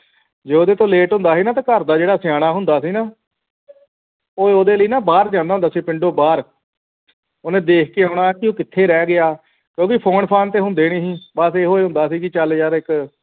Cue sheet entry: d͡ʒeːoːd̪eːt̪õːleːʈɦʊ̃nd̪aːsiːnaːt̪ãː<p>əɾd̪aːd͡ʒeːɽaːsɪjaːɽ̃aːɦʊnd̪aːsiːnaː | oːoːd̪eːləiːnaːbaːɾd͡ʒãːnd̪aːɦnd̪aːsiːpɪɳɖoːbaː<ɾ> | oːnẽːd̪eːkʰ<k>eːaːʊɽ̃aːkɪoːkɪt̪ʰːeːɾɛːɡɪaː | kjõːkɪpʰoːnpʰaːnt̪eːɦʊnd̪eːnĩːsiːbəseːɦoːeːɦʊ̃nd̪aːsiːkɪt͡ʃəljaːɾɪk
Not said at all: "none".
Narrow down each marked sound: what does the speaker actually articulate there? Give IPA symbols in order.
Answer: k, ɾ, k

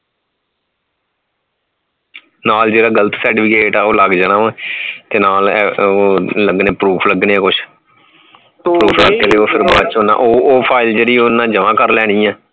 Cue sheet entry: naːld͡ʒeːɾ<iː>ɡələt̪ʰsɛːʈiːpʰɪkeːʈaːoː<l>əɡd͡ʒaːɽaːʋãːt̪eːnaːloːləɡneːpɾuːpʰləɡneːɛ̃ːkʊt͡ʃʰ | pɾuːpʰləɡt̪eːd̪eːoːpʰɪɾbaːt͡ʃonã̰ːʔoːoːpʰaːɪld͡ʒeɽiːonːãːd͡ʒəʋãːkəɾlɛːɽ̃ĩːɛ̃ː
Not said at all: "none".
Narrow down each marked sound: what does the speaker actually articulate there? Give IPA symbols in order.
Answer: aː, l

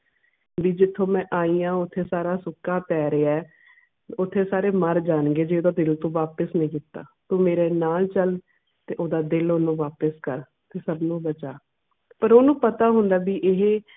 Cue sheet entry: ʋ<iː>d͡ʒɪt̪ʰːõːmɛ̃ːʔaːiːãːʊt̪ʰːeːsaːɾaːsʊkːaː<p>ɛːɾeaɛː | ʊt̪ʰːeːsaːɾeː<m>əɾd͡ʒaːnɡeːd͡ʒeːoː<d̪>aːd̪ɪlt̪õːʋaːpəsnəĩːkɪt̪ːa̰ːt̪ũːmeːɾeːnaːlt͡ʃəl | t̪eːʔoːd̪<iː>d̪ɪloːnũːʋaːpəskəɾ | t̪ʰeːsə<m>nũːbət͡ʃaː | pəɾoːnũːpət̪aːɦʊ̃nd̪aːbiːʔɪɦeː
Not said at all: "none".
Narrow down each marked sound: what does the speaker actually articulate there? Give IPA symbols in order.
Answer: iː, p, m, d̪, aː, b

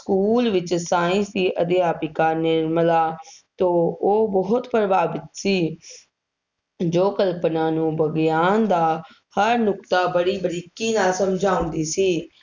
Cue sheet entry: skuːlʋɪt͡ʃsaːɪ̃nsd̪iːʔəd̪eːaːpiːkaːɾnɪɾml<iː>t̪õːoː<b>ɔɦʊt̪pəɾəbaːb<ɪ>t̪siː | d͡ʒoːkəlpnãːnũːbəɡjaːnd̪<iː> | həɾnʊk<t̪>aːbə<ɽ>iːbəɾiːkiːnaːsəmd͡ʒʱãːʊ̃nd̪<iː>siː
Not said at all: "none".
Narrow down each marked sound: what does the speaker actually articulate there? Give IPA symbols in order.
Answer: aː, b, ɪ, aː, t̪, ɽ, iː

